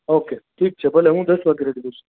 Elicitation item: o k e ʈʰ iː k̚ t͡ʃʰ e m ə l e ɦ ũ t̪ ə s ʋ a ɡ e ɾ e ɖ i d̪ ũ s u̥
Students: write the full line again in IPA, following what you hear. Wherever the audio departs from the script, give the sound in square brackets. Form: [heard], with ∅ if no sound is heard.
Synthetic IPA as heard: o k e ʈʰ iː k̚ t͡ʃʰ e [b] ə l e ɦ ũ [d̪] ə s ʋ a ɡ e ɾ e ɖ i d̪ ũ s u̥